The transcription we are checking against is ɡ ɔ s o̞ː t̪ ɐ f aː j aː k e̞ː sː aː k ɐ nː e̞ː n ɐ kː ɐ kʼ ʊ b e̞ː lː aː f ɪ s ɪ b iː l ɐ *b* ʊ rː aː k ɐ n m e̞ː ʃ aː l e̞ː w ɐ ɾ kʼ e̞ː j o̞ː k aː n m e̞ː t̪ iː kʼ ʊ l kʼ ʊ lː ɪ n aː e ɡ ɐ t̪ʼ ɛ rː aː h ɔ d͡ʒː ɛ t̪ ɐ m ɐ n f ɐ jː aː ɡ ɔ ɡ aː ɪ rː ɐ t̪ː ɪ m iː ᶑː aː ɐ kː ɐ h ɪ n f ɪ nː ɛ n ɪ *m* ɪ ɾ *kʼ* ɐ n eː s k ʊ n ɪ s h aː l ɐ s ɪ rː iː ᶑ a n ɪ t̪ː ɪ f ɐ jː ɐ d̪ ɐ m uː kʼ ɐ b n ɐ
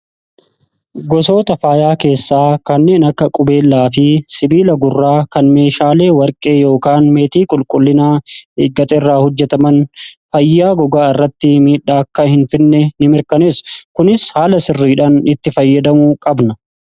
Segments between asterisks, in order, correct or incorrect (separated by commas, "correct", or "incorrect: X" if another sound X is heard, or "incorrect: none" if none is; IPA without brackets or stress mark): incorrect: ɡ, correct, incorrect: k